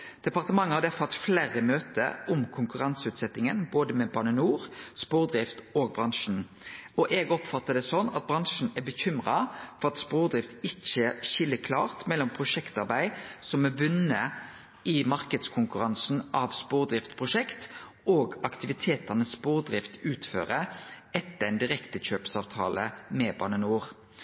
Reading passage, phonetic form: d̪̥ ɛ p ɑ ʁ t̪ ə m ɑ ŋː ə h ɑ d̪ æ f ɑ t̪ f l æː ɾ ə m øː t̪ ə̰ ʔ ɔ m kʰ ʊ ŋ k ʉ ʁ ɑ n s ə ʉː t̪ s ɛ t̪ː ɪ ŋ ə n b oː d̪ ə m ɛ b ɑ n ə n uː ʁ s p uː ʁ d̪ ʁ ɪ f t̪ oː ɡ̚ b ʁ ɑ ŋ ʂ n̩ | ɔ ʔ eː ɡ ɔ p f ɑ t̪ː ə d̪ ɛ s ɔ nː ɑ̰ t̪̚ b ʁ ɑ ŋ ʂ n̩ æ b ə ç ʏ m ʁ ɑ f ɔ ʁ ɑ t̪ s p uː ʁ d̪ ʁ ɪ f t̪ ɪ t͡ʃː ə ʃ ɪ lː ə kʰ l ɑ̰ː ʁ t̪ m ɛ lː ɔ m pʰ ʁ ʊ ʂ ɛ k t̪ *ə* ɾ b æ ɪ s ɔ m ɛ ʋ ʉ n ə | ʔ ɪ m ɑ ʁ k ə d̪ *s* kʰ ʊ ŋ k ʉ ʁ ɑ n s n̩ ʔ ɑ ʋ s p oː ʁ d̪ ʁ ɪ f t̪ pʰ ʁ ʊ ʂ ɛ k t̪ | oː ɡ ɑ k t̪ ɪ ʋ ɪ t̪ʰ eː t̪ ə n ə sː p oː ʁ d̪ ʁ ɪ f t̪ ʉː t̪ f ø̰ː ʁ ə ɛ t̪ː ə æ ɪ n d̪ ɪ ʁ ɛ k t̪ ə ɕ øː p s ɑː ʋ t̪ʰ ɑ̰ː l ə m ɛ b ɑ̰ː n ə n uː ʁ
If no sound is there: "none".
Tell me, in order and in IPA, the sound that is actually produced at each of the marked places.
ɑ, s

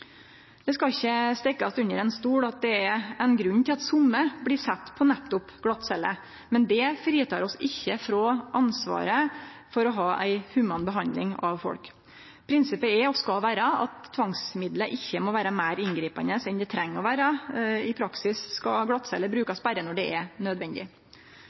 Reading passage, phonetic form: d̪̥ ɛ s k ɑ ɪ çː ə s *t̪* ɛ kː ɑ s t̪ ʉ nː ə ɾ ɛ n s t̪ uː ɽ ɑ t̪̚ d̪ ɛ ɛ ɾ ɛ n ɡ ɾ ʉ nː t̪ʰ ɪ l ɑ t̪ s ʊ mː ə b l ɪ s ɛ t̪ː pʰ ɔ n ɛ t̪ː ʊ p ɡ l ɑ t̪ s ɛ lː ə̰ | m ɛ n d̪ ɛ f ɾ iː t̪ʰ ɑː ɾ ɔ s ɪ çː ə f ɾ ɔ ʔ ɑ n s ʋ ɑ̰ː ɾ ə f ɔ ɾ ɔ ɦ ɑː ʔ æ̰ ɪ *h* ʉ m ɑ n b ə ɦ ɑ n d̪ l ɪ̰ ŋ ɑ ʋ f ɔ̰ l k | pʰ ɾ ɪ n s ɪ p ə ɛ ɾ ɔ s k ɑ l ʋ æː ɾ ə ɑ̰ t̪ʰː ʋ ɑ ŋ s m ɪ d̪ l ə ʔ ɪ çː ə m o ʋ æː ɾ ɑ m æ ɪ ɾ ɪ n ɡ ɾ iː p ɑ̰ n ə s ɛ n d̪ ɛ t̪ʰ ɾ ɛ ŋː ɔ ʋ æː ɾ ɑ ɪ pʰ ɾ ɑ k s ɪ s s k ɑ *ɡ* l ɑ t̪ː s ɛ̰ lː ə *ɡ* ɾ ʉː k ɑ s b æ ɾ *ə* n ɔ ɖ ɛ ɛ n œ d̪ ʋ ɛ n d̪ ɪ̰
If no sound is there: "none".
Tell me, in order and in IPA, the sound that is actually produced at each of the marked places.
t̪, h, ɡ, b, ə

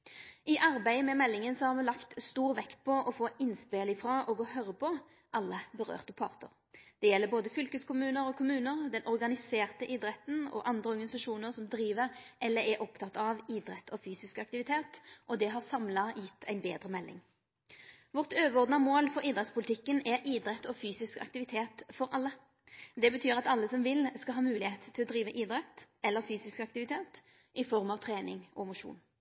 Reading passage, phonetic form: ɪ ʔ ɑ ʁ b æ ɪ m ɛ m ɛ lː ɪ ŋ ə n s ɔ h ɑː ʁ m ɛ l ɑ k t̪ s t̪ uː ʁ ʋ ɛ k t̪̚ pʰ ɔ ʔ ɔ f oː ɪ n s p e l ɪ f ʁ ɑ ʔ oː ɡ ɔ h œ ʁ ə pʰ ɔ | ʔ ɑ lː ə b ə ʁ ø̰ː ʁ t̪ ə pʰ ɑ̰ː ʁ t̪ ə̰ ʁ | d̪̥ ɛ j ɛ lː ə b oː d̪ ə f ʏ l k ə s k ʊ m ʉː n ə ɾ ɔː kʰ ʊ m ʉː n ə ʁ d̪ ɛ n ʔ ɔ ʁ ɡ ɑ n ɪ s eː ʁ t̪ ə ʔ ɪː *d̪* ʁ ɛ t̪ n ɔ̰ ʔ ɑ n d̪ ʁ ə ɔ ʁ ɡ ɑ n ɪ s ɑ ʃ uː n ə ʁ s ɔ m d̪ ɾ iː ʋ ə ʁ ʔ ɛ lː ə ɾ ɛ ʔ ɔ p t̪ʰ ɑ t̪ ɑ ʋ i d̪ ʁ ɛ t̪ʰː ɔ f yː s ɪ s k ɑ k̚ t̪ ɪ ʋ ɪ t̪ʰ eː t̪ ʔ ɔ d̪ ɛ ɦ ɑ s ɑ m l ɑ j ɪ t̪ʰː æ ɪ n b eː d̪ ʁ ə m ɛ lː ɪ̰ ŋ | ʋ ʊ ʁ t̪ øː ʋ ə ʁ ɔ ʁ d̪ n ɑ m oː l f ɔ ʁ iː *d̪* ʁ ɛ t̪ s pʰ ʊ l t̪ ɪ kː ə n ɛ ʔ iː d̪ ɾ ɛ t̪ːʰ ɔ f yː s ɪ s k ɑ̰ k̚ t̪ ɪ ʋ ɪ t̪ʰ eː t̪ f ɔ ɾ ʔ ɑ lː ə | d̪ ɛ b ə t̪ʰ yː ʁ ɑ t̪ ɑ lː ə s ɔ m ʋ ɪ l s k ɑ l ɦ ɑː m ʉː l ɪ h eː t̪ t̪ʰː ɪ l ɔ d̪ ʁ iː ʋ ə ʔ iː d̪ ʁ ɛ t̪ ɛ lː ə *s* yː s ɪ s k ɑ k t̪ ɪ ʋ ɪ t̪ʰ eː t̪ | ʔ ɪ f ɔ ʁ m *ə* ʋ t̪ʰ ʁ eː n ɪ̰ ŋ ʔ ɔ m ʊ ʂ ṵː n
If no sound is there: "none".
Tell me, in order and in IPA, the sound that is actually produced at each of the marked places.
d̪, d̪, f, ɑ

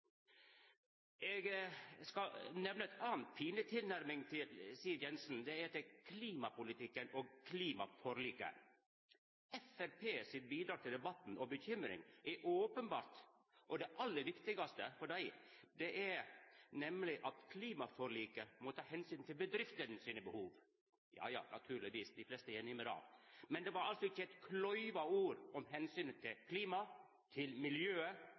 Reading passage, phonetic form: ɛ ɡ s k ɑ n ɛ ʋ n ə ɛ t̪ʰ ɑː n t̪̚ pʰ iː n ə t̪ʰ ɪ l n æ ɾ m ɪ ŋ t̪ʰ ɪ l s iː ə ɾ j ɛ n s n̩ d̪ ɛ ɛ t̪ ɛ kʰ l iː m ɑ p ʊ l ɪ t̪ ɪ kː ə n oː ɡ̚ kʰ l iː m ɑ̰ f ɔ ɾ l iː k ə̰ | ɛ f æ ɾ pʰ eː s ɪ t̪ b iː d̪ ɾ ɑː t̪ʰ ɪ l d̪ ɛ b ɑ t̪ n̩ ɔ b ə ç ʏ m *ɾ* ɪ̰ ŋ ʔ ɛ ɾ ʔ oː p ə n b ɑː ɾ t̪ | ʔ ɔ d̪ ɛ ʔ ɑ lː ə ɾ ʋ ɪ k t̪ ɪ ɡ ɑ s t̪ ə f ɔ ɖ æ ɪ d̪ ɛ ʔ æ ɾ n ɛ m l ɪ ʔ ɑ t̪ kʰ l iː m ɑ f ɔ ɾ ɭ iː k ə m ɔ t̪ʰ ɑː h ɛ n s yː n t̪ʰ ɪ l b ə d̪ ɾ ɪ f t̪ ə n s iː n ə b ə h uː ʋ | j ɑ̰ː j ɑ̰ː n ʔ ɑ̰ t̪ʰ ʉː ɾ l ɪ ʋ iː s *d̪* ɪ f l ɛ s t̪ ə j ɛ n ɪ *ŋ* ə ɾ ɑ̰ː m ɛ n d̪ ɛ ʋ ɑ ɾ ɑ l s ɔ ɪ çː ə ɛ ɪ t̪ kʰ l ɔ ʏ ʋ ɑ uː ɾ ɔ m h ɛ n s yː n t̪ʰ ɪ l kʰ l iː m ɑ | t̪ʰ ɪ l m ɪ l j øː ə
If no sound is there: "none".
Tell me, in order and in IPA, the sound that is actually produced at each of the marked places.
ɾ, d̪, m

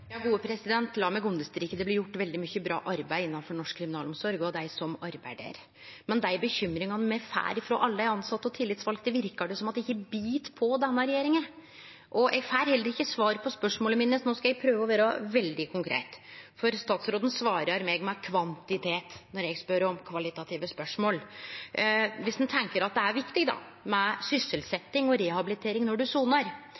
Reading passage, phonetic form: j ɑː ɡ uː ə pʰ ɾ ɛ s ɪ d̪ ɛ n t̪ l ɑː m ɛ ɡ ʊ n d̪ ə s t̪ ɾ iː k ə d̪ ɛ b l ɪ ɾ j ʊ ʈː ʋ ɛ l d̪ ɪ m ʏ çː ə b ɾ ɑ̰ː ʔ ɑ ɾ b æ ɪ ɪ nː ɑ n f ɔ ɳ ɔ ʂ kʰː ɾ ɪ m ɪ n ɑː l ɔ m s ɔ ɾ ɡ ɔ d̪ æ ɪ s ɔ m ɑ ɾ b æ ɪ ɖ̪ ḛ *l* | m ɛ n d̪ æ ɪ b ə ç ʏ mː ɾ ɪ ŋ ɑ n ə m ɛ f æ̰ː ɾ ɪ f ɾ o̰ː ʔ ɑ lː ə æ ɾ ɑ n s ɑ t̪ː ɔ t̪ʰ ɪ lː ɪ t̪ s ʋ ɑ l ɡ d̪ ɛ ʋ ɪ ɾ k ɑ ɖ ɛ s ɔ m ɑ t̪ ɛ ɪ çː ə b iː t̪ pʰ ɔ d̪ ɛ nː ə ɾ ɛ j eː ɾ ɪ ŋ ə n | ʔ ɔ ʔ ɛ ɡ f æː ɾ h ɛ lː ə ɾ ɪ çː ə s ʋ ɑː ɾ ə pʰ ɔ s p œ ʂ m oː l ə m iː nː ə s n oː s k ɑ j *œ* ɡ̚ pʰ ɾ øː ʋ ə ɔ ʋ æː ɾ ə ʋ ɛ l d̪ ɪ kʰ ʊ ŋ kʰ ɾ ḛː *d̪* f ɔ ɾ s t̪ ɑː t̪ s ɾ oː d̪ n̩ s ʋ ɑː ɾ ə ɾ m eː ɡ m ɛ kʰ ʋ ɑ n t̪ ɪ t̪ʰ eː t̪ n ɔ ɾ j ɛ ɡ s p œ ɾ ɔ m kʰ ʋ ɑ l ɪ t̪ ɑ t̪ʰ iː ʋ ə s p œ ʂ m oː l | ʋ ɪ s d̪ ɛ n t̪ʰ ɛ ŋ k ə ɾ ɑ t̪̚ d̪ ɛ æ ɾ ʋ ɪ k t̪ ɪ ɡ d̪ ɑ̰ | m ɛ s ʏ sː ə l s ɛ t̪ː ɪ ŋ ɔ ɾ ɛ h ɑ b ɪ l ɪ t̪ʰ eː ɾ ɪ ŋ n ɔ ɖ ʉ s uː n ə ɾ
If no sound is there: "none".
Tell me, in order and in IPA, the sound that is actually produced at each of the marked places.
ɾ, ɛ, t̪

